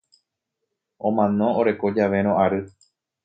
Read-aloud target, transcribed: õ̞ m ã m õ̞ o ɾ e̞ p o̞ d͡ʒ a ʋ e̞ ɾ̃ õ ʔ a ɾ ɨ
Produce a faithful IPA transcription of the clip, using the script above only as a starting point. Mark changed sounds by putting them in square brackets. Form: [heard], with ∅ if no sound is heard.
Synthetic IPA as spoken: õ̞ m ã [n] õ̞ o ɾ e̞ [k] o̞ d͡ʒ a ʋ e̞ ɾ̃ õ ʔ a ɾ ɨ